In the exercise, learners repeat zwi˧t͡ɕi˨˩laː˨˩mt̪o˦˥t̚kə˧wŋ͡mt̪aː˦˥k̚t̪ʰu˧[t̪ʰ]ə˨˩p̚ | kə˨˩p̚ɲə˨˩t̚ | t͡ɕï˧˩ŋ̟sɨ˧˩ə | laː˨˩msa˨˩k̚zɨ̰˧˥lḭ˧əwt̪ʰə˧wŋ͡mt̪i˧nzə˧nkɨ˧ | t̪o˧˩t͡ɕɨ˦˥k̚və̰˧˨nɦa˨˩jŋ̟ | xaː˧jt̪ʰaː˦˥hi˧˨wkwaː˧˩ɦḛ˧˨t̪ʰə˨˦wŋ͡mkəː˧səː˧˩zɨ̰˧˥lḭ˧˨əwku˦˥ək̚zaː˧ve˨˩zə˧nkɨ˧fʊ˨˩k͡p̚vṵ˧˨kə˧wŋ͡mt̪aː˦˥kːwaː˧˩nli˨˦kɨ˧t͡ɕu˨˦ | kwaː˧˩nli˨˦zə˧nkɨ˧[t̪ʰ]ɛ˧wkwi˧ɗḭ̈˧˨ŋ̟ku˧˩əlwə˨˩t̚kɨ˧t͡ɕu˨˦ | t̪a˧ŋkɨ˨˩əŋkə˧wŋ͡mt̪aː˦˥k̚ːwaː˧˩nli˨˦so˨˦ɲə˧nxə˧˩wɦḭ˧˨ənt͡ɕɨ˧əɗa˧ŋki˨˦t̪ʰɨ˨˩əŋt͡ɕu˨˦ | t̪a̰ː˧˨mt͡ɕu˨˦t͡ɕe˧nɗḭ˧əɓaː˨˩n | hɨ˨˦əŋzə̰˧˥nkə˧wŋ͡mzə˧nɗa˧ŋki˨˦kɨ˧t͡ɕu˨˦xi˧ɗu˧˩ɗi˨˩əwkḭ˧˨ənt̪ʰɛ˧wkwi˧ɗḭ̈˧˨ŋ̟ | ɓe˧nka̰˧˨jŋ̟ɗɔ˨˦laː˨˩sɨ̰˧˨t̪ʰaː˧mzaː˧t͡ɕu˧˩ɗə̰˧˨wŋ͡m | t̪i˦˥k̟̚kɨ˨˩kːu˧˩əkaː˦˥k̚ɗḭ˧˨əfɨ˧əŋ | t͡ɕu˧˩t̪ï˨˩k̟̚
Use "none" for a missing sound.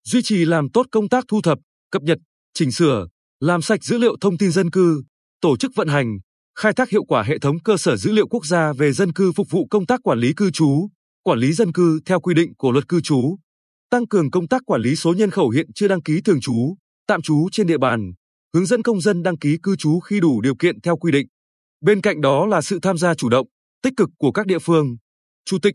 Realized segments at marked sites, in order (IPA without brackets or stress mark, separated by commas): t̪ʰ, t̪ʰ